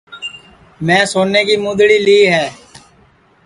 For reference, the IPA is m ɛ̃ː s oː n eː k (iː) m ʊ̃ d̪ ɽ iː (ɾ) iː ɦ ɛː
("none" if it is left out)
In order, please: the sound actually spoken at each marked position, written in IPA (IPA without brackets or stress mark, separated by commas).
iː, l